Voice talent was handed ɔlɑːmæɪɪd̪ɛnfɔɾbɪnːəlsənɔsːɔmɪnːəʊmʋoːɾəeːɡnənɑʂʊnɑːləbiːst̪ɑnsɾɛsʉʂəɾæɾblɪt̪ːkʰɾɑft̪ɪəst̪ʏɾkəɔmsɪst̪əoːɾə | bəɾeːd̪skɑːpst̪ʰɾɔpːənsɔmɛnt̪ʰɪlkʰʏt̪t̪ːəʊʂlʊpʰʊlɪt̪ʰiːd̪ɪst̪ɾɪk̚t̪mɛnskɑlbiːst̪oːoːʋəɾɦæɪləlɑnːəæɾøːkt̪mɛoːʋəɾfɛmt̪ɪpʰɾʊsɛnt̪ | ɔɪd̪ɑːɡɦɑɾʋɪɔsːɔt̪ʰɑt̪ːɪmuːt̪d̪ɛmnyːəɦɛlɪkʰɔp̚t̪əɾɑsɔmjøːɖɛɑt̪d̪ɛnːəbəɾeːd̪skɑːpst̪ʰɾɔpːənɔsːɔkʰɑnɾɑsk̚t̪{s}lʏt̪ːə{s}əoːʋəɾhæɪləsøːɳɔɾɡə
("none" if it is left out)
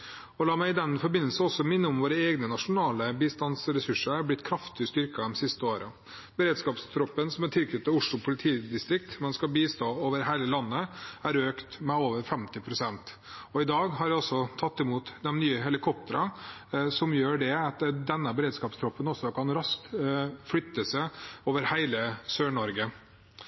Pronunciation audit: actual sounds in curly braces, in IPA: f, s

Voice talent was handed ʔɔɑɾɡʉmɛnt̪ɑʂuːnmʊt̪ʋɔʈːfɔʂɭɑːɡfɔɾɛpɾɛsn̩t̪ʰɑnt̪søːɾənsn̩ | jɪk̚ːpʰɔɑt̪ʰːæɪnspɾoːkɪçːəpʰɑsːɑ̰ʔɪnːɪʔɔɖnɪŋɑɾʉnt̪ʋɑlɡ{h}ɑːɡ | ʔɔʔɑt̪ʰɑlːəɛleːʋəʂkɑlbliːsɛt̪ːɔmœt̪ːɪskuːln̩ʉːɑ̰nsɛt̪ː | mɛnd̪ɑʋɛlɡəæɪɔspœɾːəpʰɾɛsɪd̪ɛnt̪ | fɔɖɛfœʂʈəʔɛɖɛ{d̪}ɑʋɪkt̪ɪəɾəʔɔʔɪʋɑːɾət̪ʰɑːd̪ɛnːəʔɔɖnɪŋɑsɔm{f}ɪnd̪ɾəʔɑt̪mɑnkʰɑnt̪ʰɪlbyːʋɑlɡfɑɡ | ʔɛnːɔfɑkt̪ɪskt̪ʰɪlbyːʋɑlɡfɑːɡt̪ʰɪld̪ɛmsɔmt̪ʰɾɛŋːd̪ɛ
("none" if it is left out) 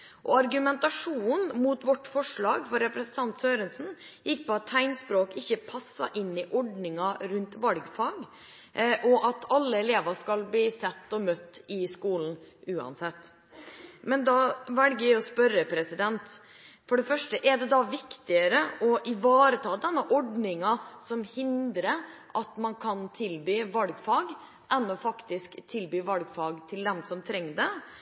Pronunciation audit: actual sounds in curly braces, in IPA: f, d̪, h

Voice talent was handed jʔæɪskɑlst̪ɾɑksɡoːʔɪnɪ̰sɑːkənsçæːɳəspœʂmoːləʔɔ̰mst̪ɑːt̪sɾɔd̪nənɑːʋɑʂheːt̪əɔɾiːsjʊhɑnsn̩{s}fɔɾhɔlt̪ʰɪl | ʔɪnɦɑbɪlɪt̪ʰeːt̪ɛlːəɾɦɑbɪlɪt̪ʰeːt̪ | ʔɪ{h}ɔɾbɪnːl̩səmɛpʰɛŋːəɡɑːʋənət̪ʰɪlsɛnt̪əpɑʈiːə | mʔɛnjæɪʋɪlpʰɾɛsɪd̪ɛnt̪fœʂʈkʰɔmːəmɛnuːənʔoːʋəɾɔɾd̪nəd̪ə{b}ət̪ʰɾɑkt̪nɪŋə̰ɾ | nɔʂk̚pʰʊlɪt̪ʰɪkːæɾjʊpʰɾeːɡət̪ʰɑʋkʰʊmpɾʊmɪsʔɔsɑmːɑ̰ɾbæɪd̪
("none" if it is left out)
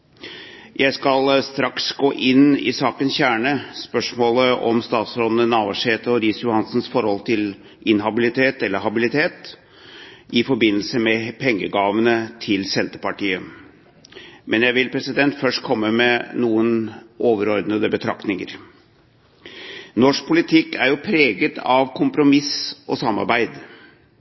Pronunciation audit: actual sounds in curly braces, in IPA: s, f, b

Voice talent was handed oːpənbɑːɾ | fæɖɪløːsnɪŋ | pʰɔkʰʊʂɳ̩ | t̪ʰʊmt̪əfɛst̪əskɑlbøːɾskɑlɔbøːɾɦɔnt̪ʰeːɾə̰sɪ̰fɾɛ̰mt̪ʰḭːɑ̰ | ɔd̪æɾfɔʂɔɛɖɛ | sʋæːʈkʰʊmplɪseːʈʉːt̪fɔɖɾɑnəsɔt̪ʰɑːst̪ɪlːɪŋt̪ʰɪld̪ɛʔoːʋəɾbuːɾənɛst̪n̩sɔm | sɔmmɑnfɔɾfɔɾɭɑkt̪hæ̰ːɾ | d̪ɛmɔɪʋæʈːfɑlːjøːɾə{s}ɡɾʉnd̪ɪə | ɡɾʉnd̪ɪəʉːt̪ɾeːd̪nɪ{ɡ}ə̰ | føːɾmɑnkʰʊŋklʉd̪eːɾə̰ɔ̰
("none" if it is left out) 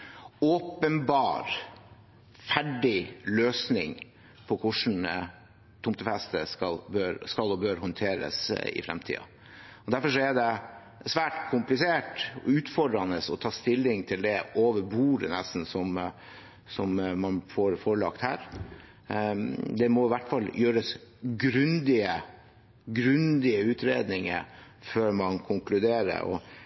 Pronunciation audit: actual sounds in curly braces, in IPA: s, ŋ

